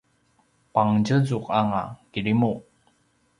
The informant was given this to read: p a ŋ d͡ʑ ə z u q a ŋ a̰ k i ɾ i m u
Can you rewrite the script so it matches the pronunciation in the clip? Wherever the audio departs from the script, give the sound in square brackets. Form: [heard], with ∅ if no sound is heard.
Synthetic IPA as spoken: p a ŋ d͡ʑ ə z u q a ŋ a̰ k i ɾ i m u